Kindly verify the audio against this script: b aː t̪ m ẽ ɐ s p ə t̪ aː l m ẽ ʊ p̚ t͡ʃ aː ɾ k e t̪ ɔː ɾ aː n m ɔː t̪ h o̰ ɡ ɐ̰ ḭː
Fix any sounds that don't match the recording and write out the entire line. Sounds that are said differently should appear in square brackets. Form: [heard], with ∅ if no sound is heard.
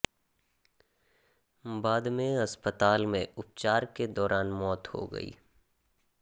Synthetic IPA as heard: b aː [d̪] m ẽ ɐ s p ə t̪ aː l m ẽ ʊ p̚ t͡ʃ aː ɾ k e [d̪] ɔː ɾ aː n m ɔː t̪ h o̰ ɡ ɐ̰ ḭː

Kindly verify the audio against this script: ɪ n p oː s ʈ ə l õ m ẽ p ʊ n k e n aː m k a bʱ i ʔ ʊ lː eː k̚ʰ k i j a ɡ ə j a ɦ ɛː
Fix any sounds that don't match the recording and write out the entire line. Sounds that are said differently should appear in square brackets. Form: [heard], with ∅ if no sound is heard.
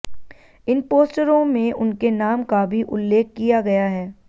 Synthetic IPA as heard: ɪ n p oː s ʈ ə [ɾ] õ m ẽ [∅] ʊ n k e n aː m k a bʱ i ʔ ʊ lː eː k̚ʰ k i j a ɡ [ɐ] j a ɦ ɛː

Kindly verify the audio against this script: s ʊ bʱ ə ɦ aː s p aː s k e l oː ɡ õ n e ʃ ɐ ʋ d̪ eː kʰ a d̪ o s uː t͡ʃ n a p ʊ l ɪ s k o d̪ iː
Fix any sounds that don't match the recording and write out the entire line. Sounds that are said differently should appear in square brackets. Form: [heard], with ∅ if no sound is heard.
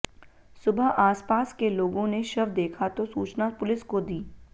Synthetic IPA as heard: s ʊ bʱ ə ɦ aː s p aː s k e l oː ɡ õ n e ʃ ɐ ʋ d̪ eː kʰ a [t̪] o s uː t͡ʃ n a p ʊ l ɪ s k o d̪ iː

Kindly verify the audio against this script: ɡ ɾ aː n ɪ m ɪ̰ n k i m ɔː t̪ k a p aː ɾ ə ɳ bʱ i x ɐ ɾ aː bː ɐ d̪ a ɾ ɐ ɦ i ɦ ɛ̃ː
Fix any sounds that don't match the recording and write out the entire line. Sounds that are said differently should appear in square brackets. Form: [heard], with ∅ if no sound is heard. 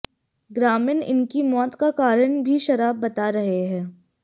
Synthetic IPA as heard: ɡ ɾ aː [m] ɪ [n] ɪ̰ n k i m ɔː t̪ k a [k] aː ɾ ə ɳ bʱ i [ʃ] ɐ ɾ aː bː ɐ [t̪] a ɾ ɐ ɦ [e] ɦ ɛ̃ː

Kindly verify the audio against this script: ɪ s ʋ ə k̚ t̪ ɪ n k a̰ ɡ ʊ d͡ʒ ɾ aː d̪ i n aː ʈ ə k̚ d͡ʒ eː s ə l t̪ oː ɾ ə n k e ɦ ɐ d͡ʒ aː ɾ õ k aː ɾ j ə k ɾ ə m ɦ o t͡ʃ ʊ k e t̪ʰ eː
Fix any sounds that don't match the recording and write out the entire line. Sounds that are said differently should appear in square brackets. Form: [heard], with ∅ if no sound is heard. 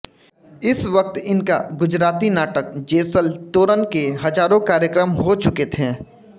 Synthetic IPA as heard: ɪ s ʋ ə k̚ t̪ ɪ n k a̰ ɡ ʊ d͡ʒ ɾ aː [t̪] i n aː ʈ ə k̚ d͡ʒ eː s ə l t̪ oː ɾ ə n k e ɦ ɐ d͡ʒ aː ɾ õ k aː ɾ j ə k ɾ ə m ɦ o t͡ʃ ʊ k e t̪ʰ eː

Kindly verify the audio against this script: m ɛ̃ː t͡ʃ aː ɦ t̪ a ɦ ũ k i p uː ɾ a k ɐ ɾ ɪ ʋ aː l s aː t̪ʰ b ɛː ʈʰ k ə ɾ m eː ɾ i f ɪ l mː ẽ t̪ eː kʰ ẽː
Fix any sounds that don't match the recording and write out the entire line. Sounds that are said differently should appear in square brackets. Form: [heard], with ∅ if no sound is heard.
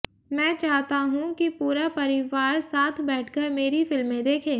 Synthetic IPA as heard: m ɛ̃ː t͡ʃ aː ɦ t̪ a ɦ ũ k i p uː ɾ a [p] ɐ ɾ ɪ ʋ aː [ɾ] s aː t̪ʰ b ɛː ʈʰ k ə ɾ m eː ɾ i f ɪ l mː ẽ [d̪] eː kʰ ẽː

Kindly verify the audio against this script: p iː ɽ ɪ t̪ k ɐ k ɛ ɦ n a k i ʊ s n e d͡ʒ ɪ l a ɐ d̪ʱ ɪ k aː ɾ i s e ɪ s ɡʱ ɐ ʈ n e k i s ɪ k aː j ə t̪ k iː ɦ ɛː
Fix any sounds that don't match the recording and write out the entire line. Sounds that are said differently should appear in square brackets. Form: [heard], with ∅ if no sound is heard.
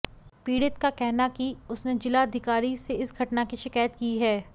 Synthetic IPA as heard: p iː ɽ ɪ t̪ k [a] k ɛ ɦ n a k i ʊ s n e d͡ʒ ɪ l a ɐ d̪ʱ ɪ k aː ɾ i s e ɪ s ɡʱ ɐ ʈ n [a] k i [ʃ] ɪ k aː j ə t̪ k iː ɦ ɛː

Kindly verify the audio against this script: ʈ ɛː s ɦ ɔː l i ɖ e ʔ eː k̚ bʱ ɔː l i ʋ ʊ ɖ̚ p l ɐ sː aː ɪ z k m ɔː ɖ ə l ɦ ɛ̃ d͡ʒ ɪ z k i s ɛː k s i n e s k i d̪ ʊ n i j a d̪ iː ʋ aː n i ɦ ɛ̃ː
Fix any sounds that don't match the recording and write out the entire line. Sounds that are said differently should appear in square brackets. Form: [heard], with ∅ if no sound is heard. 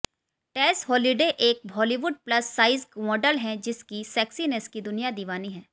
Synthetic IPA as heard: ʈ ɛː s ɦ ɔː l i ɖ e ʔ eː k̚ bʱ ɔː l i ʋ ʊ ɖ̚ p l ɐ sː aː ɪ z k m ɔː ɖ ə l ɦ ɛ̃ d͡ʒ ɪ [s] k i s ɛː k s i n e s k i d̪ ʊ n i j a d̪ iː ʋ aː n i ɦ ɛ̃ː

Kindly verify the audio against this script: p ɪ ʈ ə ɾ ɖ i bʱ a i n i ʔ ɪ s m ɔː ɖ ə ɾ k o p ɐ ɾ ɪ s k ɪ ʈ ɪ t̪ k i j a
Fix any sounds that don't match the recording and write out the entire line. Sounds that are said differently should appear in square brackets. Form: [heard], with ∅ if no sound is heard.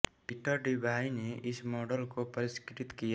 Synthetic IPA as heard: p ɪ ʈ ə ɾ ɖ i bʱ a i n [e] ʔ ɪ s m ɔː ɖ ə [l] k o p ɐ ɾ ɪ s k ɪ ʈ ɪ t̪ k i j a

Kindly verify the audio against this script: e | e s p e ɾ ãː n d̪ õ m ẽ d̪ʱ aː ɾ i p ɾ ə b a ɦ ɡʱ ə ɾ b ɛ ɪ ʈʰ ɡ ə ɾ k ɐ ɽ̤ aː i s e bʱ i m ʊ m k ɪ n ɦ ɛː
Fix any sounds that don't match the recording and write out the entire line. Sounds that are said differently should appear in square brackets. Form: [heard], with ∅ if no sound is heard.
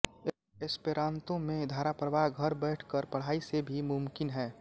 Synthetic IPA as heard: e | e s p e ɾ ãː n [t̪] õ m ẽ d̪ʱ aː ɾ [a] p ɾ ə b a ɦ ɡʱ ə ɾ b ɛ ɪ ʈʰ [k] ə ɾ [p] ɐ ɽ̤ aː i s e bʱ i m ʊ m k ɪ n ɦ ɛː

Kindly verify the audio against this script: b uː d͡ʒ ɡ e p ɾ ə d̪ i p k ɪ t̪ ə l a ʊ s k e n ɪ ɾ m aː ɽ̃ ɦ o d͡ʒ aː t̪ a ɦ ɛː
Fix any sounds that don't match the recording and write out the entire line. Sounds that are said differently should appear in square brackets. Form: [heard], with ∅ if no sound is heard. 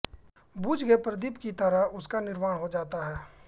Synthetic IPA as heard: b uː d͡ʒ ɡ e p ɾ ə d̪ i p k [i] t̪ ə [ɾ] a ʊ s k [a] n ɪ ɾ m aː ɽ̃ ɦ o d͡ʒ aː t̪ a ɦ ɛː

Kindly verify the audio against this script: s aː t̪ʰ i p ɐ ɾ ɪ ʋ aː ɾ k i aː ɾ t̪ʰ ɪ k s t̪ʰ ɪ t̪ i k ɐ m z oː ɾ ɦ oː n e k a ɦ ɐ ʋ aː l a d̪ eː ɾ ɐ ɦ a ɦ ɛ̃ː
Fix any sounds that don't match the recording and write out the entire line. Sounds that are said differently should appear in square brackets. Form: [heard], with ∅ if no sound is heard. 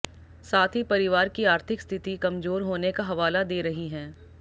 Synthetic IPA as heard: s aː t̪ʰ i p ɐ ɾ ɪ ʋ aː ɾ k i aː ɾ t̪ʰ ɪ k s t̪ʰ ɪ t̪ i k ɐ m z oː ɾ ɦ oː n e k a ɦ ɐ ʋ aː l a d̪ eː ɾ ɐ ɦ [i] ɦ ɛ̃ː

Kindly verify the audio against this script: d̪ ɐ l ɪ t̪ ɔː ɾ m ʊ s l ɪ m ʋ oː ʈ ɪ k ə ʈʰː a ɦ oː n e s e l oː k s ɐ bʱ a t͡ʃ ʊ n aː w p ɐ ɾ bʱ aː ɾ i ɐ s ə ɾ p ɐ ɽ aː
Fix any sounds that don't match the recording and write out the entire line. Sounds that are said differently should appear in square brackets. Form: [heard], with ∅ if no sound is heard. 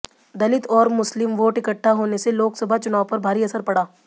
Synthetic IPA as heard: d̪ ɐ l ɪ t̪ ɔː ɾ m ʊ s l ɪ m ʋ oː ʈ ɪ k ə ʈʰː a ɦ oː n e s e l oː k s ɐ bʱ a t͡ʃ ʊ n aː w p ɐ ɾ bʱ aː ɾ i ɐ s ə ɾ p ɐ ɽ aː

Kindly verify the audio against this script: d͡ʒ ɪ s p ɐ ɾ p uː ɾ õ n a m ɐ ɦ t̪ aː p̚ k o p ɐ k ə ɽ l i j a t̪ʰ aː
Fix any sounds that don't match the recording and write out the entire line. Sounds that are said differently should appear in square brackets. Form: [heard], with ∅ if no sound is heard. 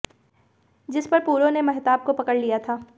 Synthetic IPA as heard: d͡ʒ ɪ s p ɐ ɾ p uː ɾ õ n [e] m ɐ ɦ t̪ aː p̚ k o p ɐ k ə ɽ l i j a t̪ʰ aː

